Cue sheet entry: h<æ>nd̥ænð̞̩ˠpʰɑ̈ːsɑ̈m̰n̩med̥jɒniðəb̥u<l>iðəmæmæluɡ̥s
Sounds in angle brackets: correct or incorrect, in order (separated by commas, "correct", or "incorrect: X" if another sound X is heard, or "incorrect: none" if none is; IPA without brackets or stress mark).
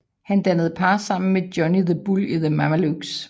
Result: correct, correct